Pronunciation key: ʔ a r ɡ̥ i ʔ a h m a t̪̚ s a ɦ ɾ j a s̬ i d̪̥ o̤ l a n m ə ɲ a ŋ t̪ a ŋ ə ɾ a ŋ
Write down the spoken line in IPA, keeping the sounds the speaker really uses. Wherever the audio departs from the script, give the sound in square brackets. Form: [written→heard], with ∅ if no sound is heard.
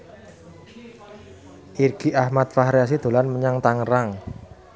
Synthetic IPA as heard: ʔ [a→i] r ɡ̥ i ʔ a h m a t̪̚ [s→f] a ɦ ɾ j a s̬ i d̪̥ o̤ l a n m ə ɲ a ŋ t̪ a ŋ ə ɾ a ŋ